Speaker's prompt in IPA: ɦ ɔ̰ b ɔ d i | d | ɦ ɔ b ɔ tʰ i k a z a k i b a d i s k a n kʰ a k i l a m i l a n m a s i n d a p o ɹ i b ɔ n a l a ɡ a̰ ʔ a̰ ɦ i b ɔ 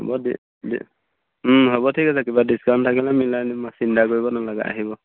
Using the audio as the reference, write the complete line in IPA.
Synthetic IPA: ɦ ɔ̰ b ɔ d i | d | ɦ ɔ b ɔ tʰ i k a s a k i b a d i s k a n tʰ a k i l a m i l a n m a s i n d a k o ɹ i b ɔ n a l a ɡ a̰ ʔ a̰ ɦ i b ɔ